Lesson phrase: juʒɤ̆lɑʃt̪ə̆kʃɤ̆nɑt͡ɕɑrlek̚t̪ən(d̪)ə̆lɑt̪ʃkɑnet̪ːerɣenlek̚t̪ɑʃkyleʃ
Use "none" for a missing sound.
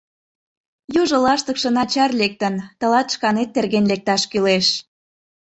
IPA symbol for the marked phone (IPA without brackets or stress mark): t̪